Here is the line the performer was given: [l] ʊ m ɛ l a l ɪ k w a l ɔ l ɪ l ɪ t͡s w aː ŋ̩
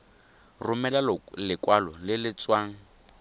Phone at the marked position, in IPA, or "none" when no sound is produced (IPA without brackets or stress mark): r